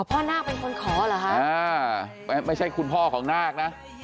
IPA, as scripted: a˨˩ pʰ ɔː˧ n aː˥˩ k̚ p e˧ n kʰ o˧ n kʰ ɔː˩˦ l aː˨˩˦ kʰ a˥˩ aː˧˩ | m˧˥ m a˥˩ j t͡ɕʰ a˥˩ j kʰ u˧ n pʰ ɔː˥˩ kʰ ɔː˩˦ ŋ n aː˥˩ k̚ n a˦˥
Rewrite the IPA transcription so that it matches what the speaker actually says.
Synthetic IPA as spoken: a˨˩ pʰ ɔː˥˩ n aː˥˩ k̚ p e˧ n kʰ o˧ n kʰ ɔː˩˦ l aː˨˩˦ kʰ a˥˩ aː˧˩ | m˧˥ m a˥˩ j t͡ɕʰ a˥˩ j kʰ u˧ n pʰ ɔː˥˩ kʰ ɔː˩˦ ŋ n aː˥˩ k̚ n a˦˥